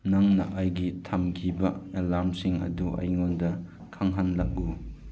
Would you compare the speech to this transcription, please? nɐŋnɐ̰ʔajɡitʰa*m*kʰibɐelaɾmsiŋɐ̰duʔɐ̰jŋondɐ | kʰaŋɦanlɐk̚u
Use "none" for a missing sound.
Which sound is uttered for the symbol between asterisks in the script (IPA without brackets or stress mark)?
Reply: m